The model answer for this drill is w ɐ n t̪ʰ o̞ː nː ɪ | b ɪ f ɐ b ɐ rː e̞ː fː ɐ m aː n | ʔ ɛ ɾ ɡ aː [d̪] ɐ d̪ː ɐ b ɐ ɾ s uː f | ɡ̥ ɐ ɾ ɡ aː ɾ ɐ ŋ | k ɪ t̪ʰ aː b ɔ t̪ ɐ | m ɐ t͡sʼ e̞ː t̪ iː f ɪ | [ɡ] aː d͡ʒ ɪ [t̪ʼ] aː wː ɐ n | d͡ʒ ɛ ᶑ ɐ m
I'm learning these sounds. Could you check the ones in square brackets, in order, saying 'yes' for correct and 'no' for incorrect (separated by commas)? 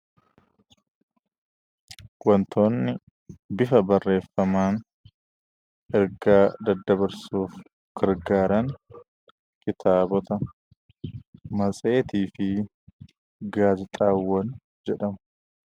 yes, yes, yes